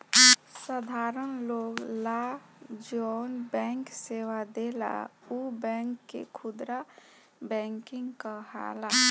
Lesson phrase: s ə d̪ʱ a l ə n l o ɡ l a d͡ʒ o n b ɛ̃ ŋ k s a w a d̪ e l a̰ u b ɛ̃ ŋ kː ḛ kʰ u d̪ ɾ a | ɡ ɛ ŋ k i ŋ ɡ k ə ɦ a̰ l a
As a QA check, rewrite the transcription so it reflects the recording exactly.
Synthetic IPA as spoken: s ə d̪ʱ a ɾ ə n l o ɡ l a d͡ʒ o n b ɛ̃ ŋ k s e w a d̪ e l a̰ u b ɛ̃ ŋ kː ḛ kʰ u d̪ ɾ a | b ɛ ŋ k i ŋ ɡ k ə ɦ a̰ l a